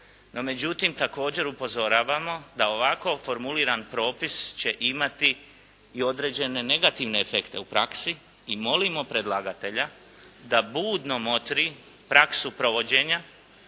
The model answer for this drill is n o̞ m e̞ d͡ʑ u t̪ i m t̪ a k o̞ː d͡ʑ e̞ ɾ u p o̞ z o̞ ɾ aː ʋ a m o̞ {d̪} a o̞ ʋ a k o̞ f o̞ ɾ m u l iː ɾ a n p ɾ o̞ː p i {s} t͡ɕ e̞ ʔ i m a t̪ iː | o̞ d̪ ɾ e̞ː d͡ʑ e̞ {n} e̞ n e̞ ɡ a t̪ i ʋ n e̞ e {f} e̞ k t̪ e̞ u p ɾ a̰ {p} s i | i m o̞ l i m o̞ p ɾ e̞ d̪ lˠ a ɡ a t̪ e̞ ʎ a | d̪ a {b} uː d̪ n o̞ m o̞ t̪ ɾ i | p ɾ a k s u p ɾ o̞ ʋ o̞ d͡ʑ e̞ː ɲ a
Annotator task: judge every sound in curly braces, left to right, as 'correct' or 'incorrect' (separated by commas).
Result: correct, correct, correct, correct, incorrect, correct